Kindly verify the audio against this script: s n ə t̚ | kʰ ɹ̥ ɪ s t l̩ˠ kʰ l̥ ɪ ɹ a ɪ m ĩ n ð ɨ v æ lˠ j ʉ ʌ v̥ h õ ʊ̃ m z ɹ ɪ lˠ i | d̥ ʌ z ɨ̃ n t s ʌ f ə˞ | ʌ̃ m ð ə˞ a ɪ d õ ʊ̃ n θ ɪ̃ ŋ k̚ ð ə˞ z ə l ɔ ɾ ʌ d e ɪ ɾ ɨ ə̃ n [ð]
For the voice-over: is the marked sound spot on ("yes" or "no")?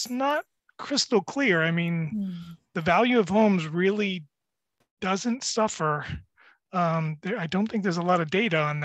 yes